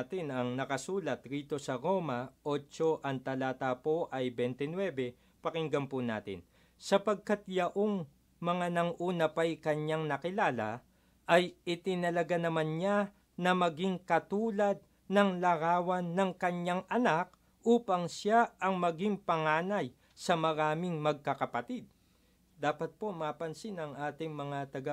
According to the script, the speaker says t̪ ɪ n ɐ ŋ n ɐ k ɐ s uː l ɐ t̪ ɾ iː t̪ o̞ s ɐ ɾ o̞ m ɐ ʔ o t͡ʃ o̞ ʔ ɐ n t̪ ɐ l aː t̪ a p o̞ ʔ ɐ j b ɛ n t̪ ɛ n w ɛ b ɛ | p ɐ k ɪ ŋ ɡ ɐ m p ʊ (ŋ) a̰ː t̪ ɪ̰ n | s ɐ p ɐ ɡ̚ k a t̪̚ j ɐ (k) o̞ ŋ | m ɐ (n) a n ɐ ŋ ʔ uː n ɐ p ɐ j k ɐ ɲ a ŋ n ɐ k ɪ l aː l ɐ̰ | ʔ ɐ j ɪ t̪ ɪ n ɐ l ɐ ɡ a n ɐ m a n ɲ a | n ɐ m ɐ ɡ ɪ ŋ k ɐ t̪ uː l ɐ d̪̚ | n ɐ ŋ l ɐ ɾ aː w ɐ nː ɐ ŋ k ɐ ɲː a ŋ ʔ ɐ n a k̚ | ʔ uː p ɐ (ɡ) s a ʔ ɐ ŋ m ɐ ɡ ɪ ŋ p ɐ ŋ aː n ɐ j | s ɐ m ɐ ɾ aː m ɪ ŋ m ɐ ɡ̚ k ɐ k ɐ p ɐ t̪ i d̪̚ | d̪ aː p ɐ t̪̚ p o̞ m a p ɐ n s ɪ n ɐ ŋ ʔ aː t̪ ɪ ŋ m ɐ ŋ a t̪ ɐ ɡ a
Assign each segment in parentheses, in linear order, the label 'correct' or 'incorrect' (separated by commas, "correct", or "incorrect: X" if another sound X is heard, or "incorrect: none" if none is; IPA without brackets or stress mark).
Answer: incorrect: n, incorrect: ʔ, incorrect: ŋ, incorrect: ŋ